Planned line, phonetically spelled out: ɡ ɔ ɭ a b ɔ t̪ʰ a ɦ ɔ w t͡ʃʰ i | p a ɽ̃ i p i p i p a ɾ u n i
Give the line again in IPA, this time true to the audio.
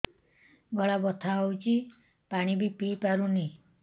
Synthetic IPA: ɡ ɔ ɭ a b ɔ t̪ʰ a ɦ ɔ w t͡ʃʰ i | p a ɽ̃ i b i p i p a ɾ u n i